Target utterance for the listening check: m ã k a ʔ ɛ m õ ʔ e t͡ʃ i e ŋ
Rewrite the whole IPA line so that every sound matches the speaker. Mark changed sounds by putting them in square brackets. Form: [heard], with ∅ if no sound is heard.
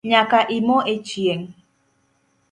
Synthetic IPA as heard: [ɲ] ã k a ʔ [i] m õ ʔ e t͡ʃ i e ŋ